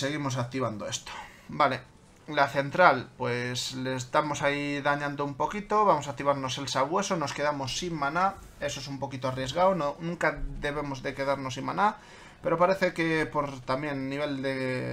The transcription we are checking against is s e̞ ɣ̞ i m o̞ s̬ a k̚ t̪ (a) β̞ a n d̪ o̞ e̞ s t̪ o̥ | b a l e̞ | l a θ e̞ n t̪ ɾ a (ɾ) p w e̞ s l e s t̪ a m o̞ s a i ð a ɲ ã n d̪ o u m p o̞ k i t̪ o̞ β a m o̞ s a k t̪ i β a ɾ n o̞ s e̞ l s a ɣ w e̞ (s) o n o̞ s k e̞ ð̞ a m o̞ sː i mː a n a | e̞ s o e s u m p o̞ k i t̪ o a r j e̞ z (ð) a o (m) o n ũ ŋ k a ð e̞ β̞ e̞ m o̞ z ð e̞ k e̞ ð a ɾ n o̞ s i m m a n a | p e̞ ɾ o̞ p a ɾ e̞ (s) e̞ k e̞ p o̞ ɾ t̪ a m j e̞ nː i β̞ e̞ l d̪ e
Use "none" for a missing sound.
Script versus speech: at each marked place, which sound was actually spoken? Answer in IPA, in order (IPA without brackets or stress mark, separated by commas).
i, l, s, ɣ, n, θ